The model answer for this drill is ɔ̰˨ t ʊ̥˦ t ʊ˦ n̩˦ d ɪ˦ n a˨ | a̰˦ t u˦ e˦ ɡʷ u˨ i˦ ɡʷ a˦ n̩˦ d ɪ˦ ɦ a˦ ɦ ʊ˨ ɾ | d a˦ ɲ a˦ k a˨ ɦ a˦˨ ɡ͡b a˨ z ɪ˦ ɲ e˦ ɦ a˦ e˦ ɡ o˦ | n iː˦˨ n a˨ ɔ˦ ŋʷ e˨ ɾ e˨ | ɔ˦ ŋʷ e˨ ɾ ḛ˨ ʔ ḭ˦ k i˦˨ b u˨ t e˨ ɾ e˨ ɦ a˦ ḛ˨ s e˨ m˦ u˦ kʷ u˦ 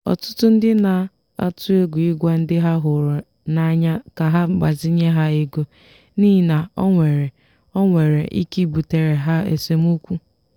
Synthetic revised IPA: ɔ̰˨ t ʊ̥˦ t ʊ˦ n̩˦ d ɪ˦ n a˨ | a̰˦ t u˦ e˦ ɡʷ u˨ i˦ ɡʷ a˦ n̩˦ d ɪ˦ ɦ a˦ ɦ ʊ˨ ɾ | n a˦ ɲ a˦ k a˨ ɦ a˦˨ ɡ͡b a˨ z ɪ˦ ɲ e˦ ɦ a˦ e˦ ɡ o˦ | n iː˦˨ n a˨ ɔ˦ ŋʷ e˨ ɾ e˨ | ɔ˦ ŋʷ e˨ ɾ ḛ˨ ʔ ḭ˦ k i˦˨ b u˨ t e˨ ɾ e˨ ɦ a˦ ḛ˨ s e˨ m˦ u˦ kʷ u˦

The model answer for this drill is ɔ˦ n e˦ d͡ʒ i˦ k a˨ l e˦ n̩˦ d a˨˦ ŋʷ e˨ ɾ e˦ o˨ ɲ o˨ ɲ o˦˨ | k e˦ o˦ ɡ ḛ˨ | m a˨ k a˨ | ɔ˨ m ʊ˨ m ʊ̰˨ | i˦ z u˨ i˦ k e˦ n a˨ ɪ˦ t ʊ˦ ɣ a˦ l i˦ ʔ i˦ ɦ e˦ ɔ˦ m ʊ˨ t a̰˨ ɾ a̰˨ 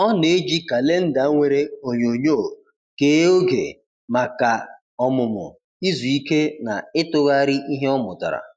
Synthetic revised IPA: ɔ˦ n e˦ d͡ʒ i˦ k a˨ l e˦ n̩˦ d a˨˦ ŋʷ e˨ ɾ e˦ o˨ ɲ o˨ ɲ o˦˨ | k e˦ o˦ ɡ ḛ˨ | m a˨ k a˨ | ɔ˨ m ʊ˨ m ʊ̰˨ | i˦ z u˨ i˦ k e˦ n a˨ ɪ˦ t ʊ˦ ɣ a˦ ɾ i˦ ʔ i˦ ɦ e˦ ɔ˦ m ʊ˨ t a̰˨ ɾ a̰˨

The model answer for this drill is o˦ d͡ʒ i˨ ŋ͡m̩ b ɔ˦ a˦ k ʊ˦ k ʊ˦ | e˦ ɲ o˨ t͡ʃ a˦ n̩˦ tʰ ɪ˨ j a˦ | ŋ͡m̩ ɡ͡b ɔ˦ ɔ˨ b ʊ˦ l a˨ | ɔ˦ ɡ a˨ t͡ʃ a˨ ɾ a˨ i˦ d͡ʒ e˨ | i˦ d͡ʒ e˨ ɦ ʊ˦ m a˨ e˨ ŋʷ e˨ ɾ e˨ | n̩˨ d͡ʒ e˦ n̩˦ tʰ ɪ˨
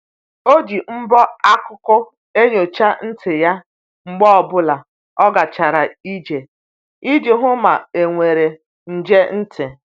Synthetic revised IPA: o˦ d͡ʒ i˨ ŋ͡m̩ b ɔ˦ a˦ k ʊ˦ k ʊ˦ | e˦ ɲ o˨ t͡ʃ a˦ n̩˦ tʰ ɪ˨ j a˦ | ŋ͡m̩ ɡ͡b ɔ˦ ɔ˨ b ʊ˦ l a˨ | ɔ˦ ɡ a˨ t͡ʃ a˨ ɾ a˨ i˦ d͡ʒ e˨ | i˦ d͡ʒ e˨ ɦ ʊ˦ m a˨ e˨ ŋʷ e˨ ɾ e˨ | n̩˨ d͡ʒ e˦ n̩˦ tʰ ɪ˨

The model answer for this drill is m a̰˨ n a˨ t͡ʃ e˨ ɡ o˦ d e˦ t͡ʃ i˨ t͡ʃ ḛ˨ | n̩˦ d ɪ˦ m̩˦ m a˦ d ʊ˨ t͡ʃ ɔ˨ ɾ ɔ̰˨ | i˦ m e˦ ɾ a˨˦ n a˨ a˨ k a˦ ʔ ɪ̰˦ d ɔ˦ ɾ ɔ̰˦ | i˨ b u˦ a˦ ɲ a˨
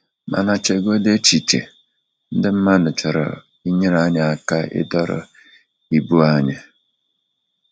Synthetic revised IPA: m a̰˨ n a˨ t͡ʃ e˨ ɡ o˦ d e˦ t͡ʃ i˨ t͡ʃ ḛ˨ | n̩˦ d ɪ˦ m̩˦ m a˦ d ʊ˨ t͡ʃ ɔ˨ ɾ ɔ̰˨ | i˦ ɲ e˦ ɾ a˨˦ ɲ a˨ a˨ k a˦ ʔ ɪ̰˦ d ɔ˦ ɾ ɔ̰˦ | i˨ b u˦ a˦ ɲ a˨

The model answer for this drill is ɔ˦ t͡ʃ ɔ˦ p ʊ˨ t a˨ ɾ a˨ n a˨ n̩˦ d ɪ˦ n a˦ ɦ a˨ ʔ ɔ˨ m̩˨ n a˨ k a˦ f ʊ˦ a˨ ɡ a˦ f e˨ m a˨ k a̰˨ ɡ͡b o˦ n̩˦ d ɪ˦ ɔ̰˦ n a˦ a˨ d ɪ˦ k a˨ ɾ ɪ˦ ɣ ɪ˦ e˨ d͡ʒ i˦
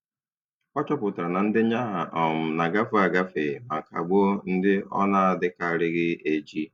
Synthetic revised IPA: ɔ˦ t͡ʃ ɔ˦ p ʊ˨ t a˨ ɾ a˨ n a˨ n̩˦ d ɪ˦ ɲ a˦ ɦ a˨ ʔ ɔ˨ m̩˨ n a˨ ɡ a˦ f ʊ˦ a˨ ɡ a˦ f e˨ m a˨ k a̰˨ ɡ͡b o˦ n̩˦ d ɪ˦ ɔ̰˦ n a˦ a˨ d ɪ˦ k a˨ ɾ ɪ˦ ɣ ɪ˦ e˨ d͡ʒ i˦

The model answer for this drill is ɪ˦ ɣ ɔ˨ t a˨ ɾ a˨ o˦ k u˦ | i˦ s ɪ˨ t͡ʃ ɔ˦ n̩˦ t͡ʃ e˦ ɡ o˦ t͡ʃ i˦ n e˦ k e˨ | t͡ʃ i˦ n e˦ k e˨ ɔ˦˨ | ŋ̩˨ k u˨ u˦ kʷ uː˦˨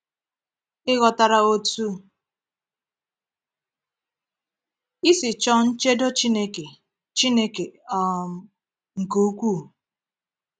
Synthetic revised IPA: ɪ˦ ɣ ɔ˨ t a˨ ɾ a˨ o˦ t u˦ | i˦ s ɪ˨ t͡ʃ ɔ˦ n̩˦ t͡ʃ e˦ d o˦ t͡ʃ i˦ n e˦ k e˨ | t͡ʃ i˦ n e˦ k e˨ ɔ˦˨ | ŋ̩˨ k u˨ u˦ kʷ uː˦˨

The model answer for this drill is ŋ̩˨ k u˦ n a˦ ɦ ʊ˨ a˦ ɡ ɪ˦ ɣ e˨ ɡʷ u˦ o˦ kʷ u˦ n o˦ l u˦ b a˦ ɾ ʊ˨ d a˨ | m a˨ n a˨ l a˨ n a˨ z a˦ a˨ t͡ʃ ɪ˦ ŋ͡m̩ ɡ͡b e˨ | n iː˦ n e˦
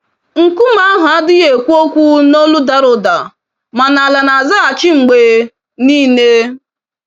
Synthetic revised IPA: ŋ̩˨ k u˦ m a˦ ɦ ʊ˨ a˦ d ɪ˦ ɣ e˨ kʷ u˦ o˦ kʷ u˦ n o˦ l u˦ d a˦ ɾ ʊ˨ d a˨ | m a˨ n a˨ l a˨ n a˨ z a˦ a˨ t͡ʃ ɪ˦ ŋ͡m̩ ɡ͡b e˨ | n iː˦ n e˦

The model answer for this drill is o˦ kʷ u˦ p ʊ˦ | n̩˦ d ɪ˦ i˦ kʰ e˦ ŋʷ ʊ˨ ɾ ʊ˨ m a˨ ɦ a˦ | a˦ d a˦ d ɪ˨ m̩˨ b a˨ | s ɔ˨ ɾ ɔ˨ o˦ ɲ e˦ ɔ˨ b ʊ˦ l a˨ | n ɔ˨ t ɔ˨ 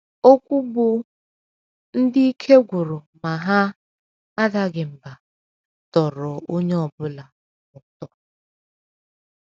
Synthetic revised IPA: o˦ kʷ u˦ b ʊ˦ | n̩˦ d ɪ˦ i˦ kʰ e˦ ɡʷ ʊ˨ ɾ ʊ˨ m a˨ ɦ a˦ | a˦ d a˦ ɡ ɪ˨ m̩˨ b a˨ | t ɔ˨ ɾ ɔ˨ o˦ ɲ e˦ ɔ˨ b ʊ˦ l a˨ | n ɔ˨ t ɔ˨

